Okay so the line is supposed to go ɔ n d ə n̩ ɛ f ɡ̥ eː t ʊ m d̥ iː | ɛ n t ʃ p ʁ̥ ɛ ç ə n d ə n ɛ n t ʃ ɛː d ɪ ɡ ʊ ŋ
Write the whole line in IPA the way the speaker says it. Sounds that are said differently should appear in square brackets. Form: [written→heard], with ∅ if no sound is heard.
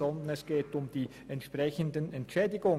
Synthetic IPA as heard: ɔ n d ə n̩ ɛ [f→s] ɡ̥ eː t ʊ m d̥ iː | ɛ n t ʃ p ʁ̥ ɛ ç ə n d ə n ɛ n t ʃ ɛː d ɪ ɡ ʊ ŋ